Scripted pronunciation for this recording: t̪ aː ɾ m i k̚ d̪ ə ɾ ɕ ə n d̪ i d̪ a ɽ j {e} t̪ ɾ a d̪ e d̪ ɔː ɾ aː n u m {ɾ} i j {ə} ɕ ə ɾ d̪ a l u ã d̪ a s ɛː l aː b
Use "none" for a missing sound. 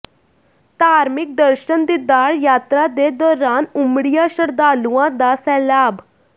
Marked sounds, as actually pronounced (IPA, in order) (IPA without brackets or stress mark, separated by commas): a, ɽ, a